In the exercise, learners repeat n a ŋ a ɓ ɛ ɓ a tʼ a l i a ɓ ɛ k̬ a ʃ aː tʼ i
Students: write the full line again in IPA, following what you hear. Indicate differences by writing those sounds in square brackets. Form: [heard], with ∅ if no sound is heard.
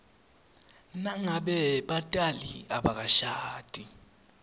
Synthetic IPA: n a ŋ a ɓ ɛ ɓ a tʼ a l i a ɓ [a] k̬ a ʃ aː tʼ i